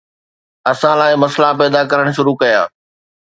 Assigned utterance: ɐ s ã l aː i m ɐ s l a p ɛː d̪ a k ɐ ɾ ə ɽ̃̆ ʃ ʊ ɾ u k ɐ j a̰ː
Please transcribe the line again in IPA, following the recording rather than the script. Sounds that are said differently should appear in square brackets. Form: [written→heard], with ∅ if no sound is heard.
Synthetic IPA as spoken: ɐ s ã l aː [i→ɪ] m ɐ s l a p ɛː d̪ a k ɐ ɾ ə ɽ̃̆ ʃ ʊ ɾ u k ɐ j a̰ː